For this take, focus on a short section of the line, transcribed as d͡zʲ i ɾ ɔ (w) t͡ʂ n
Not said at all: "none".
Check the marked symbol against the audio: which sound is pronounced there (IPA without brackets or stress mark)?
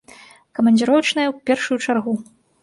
w